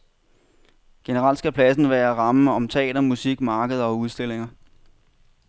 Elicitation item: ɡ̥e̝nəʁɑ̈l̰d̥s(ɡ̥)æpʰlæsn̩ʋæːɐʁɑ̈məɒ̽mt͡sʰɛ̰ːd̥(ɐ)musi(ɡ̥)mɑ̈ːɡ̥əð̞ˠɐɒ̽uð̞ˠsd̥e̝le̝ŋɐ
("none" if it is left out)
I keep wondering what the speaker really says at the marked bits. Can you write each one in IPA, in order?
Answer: ɡ̥, ɐ, ɡ̥

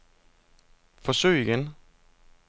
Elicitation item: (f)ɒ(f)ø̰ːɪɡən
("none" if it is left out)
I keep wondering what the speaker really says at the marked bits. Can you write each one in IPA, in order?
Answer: f, s

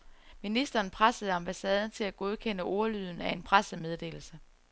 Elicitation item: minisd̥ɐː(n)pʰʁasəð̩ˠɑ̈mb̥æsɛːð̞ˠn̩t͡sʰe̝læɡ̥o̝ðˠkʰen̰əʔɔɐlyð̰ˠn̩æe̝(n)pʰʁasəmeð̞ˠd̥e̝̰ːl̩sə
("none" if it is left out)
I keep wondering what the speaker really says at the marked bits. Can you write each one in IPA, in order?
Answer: n, n

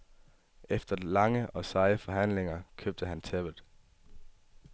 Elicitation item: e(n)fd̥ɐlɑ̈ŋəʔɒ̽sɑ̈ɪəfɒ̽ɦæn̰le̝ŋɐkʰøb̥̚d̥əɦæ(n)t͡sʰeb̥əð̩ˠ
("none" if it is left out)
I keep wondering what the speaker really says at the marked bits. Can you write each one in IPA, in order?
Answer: none, n

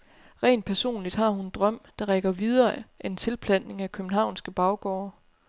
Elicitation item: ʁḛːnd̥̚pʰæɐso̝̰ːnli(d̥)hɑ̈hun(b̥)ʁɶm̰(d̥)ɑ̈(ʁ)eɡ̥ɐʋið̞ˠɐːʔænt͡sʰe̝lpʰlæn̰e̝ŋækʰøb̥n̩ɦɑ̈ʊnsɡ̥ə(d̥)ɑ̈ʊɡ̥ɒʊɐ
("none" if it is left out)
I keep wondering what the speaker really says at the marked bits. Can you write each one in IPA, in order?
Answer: d̥, d̥, d̥, ʁ, b̥

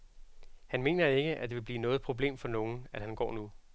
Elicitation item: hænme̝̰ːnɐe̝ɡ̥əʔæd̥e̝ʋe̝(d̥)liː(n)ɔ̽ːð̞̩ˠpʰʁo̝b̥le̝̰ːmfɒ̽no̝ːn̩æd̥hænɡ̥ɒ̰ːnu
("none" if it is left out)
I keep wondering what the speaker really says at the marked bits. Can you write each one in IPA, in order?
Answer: b̥, n

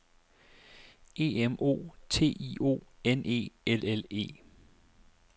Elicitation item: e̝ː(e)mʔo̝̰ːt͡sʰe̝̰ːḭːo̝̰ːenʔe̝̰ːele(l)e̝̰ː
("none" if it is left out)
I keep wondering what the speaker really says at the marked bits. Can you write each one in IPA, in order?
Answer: e, l

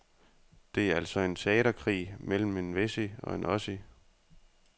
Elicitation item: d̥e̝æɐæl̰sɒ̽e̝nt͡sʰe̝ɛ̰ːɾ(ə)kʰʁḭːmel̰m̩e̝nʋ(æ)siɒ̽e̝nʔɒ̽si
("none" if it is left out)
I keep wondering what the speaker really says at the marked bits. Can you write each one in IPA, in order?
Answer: ɐ, e

